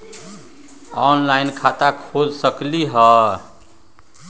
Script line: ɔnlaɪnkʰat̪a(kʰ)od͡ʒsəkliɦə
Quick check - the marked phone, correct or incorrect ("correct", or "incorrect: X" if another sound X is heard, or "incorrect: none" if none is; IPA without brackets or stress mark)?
correct